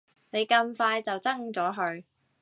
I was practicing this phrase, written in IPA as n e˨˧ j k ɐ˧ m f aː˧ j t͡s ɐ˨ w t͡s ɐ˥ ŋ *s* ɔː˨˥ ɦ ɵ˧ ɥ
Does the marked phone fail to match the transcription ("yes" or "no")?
yes